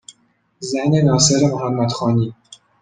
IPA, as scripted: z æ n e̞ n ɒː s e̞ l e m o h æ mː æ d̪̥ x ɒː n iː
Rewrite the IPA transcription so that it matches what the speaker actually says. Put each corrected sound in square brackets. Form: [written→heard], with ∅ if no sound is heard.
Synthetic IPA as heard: z æ n e̞ n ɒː s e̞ [l→ɾ] e m o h æ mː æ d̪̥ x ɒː n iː